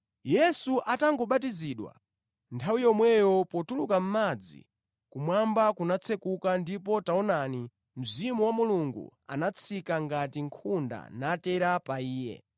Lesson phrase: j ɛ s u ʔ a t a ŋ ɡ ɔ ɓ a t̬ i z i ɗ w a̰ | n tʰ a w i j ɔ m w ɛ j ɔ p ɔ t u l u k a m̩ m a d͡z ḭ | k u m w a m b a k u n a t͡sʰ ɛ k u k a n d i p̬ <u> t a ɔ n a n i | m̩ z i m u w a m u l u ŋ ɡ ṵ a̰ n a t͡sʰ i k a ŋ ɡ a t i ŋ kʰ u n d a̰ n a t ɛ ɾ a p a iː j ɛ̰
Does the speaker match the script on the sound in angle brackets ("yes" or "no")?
no